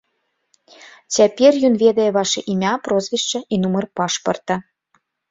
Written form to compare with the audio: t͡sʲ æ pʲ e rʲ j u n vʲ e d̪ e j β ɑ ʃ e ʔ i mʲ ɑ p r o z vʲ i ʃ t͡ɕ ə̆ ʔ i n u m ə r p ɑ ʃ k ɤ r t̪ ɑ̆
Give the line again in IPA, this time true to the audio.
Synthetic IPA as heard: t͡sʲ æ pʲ e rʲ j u n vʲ e d̪ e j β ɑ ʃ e ʔ i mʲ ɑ p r o z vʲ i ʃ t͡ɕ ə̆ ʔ i n u m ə r p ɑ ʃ p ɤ r t̪ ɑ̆